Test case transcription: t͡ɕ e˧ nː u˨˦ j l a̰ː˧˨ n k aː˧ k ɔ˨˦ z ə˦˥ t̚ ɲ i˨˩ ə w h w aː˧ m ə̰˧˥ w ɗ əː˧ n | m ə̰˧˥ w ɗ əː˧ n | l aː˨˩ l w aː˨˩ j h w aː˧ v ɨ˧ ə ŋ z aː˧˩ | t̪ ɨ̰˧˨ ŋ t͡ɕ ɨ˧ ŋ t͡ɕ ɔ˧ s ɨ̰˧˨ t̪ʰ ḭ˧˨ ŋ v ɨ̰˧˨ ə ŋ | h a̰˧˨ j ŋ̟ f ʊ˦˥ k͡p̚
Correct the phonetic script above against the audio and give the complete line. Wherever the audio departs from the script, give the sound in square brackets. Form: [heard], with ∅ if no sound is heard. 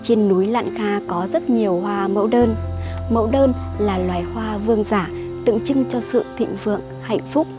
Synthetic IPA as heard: t͡ɕ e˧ nː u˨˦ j l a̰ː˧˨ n k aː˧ k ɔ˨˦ z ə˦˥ t̚ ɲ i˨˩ ə w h w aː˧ m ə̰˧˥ w ɗ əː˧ n | m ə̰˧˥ w ɗ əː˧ n | l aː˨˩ l w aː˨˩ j h w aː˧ v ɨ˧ ə ŋ z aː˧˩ | t̪ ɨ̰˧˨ ŋ t͡ɕ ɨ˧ ŋ t͡ɕ ɔ˧ s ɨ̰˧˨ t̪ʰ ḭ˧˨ ŋ v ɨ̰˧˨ ə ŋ | h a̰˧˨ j ŋ̟ f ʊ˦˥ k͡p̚

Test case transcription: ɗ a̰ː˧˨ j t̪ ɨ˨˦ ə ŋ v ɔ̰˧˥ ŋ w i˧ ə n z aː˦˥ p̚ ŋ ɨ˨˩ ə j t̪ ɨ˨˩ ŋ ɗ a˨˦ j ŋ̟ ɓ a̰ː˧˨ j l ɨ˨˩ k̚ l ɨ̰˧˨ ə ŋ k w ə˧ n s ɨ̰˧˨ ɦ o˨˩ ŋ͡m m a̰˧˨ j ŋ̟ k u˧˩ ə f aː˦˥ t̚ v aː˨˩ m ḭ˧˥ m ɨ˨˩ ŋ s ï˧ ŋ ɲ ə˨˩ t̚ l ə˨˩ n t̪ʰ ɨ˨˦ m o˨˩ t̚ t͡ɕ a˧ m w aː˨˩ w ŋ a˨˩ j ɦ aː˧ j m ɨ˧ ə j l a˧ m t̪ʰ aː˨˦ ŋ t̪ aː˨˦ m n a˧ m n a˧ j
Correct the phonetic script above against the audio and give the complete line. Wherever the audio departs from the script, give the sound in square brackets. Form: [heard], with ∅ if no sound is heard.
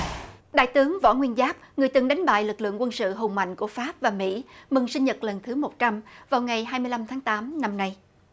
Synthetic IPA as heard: ɗ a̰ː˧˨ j t̪ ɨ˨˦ ə ŋ v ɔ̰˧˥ ŋ w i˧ ə n z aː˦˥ p̚ ŋ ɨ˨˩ ə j t̪ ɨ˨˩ ŋ ɗ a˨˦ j ŋ̟ ɓ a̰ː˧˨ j l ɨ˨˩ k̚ l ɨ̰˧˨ ə ŋ k w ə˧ n s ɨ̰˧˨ ɦ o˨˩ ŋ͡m m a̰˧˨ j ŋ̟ k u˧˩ ə f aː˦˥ [p̚] v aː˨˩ m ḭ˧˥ m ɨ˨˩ ŋ s ï˧ ŋ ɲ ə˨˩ t̚ l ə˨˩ n t̪ʰ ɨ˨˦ m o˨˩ t̚ t͡ɕ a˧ m [v] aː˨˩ w ŋ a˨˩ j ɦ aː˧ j m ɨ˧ ə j l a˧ m t̪ʰ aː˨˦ ŋ t̪ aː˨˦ m n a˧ m n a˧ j

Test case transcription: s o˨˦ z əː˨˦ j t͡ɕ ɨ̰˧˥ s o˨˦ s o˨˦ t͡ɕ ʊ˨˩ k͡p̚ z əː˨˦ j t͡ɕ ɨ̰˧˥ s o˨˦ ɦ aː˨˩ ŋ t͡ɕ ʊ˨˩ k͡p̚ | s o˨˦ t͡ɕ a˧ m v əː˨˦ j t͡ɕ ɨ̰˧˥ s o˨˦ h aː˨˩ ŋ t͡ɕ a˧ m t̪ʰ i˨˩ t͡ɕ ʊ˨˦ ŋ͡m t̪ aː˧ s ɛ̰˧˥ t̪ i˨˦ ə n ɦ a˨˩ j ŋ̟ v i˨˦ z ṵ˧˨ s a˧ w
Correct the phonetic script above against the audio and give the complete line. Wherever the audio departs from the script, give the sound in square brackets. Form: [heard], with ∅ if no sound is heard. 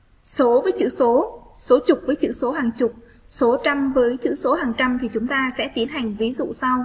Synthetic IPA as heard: s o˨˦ [v] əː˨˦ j t͡ɕ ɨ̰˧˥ s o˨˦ s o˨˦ t͡ɕ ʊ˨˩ k͡p̚ [v] əː˨˦ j t͡ɕ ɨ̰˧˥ s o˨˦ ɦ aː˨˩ ŋ t͡ɕ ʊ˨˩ k͡p̚ | s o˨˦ t͡ɕ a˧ m v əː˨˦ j t͡ɕ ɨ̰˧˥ s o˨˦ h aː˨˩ ŋ t͡ɕ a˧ m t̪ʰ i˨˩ t͡ɕ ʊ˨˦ ŋ͡m t̪ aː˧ s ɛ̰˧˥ t̪ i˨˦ ə n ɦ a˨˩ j ŋ̟ v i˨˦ z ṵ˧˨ s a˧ w

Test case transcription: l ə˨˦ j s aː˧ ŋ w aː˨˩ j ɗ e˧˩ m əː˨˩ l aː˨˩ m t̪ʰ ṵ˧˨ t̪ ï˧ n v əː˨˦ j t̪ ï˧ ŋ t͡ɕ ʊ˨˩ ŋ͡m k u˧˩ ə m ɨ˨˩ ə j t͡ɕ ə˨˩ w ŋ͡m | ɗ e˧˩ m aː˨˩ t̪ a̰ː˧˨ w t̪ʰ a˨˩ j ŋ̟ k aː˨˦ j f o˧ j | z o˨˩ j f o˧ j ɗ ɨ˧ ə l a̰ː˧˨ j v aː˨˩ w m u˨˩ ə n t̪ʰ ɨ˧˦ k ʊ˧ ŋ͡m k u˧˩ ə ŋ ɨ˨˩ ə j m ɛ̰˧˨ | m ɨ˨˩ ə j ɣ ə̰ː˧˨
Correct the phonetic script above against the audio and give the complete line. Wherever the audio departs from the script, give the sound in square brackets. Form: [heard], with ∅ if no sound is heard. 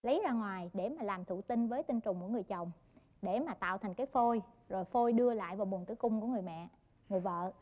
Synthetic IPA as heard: l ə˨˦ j [z] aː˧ ŋ w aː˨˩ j ɗ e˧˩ m [aː˨˩] l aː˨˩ m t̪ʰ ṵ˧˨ t̪ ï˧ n v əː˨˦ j t̪ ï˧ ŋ t͡ɕ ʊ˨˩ ŋ͡m k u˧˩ ə [ŋ] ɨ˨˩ ə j t͡ɕ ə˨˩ w ŋ͡m | ɗ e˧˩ m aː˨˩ t̪ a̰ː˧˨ w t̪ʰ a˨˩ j ŋ̟ k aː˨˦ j f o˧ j | z o˨˩ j f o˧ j ɗ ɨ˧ ə l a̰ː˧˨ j v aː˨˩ w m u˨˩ ə n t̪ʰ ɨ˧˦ k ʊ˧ ŋ͡m k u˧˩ ə ŋ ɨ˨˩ ə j m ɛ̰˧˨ | [ŋ] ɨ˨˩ ə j [v] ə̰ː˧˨

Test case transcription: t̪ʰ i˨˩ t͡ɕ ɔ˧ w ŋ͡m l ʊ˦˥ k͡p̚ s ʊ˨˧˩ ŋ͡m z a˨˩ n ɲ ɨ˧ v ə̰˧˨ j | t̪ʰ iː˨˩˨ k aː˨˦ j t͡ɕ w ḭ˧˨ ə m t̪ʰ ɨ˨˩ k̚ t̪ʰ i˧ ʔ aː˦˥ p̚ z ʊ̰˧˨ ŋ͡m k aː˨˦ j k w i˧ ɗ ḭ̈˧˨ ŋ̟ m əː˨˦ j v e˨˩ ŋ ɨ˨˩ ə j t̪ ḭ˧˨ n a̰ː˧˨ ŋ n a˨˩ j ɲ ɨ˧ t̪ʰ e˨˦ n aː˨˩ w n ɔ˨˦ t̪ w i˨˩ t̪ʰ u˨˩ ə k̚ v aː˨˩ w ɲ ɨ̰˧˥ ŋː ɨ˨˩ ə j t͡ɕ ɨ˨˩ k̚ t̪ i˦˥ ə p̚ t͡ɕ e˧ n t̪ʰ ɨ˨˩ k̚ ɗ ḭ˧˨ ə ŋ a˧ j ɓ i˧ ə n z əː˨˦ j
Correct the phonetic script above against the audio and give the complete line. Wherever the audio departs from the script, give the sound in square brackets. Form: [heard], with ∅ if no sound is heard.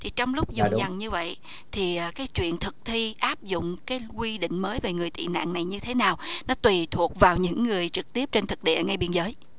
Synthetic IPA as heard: t̪ʰ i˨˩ t͡ɕ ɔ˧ w ŋ͡m l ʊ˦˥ k͡p̚ [z] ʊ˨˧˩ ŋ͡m z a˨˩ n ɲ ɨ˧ v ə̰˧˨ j | t̪ʰ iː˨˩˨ k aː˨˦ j t͡ɕ w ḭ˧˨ ə [n] t̪ʰ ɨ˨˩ k̚ t̪ʰ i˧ ʔ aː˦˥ p̚ z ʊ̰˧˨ ŋ͡m k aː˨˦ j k w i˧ ɗ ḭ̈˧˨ ŋ̟ m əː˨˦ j v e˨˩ ŋ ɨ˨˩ ə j t̪ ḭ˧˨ n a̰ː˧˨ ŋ n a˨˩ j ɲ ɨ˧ t̪ʰ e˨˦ n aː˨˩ w n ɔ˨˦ t̪ w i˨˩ t̪ʰ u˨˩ ə k̚ v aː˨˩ w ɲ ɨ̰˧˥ ŋː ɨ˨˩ ə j t͡ɕ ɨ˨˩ k̚ t̪ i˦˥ ə p̚ t͡ɕ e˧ n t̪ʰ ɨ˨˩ k̚ ɗ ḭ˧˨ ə ŋ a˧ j ɓ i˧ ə n z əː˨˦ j

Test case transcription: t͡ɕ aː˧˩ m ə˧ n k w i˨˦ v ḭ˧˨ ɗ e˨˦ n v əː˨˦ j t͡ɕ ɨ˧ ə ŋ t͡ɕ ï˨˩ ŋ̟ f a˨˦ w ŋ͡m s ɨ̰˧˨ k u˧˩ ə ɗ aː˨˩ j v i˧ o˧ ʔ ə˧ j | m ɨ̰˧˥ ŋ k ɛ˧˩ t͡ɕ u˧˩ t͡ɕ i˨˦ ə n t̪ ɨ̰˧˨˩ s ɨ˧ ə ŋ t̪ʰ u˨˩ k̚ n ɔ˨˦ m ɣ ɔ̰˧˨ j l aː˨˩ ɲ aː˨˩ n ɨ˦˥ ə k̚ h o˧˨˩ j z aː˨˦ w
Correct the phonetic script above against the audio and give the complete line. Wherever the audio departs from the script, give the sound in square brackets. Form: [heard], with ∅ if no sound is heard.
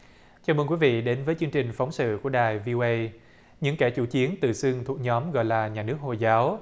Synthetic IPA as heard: t͡ɕ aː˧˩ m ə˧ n k w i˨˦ v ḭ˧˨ ɗ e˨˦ n v əː˨˦ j t͡ɕ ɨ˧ ə ŋ t͡ɕ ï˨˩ ŋ̟ f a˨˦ w ŋ͡m s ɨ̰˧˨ k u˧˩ ə ɗ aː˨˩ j v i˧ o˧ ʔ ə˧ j | [ɲ] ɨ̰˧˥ ŋ k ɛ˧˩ t͡ɕ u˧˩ t͡ɕ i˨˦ ə n t̪ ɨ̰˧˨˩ s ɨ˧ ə ŋ t̪ʰ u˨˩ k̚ [ɲ] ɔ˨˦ m ɣ ɔ̰˧˨ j l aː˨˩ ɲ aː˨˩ n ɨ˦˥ ə k̚ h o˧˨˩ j z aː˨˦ w

